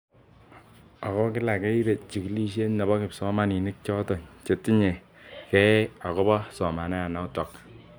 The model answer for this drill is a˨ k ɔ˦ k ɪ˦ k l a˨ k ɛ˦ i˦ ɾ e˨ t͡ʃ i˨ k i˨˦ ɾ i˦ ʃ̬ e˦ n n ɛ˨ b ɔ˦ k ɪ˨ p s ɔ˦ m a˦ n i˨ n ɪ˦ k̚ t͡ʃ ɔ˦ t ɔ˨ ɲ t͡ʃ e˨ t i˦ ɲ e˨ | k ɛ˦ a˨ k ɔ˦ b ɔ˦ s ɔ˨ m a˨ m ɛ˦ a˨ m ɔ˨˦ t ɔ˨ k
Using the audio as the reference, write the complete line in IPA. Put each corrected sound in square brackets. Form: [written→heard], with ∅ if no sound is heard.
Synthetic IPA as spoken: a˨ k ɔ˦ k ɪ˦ [k→∅] l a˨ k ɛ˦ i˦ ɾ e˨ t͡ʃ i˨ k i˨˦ [ɾ→l] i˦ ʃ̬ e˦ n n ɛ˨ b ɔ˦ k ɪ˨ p s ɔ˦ m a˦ n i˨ n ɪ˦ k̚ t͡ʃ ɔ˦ t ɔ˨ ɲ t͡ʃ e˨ t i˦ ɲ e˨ | k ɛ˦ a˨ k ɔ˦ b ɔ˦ s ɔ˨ m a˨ [m→n] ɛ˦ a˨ [m→n] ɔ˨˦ t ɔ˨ k